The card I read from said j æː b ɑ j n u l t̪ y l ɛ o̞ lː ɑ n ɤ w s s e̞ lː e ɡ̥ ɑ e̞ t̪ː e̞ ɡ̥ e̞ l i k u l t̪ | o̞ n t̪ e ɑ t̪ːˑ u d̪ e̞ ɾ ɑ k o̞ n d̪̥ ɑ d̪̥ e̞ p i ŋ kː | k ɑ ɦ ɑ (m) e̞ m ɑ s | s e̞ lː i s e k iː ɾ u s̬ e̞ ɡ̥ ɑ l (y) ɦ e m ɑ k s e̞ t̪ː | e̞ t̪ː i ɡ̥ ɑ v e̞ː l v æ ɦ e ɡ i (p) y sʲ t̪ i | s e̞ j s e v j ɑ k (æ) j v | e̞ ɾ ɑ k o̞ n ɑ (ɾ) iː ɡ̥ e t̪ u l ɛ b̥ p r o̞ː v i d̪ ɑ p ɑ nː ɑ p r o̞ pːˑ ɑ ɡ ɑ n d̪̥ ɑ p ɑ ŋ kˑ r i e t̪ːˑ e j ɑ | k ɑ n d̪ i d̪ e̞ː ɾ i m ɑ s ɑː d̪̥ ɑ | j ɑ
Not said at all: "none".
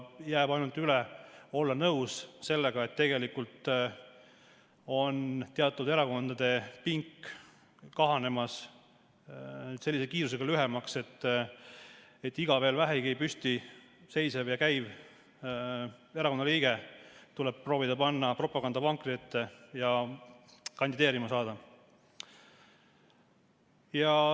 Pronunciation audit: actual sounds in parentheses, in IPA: n, y, p, æ, l

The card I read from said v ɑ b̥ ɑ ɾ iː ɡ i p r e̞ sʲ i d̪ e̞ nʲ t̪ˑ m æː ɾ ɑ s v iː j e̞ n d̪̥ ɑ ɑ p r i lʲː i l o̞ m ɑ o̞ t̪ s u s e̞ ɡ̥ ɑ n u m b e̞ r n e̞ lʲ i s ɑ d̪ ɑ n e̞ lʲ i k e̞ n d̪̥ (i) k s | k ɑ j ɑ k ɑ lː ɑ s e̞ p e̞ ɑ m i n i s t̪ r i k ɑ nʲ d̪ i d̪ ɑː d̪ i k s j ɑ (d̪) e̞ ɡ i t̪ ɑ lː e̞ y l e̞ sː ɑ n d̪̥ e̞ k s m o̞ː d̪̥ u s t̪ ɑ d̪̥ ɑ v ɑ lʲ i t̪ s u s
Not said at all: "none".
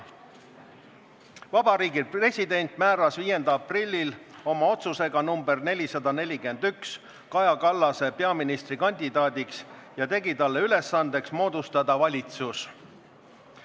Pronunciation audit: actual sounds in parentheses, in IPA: y, t̪

